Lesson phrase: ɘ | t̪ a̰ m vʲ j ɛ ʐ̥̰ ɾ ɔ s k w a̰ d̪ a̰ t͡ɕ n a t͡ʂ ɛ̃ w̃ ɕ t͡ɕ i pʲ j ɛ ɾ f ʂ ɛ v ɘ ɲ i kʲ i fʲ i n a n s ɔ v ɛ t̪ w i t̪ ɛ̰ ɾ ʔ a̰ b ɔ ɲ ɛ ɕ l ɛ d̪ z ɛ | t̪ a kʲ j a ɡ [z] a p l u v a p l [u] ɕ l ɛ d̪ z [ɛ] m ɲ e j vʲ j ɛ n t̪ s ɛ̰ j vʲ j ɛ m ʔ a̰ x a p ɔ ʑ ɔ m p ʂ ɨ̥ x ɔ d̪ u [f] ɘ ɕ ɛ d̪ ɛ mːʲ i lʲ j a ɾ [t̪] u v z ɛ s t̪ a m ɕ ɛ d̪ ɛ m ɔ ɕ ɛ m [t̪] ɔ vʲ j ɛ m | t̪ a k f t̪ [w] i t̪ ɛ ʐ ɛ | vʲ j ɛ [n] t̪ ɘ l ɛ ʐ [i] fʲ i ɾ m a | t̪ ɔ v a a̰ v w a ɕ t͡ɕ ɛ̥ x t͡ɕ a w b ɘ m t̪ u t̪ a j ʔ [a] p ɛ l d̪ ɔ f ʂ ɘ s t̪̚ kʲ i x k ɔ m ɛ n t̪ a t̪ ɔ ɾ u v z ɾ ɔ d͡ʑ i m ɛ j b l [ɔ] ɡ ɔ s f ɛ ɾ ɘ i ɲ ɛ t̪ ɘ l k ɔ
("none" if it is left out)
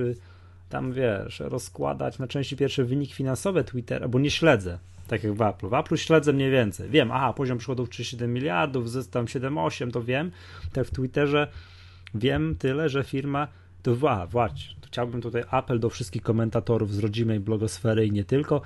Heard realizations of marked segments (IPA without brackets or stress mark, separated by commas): v, u, ɛ, f, d̪, t̪, w, m, ɛ, a, ɔ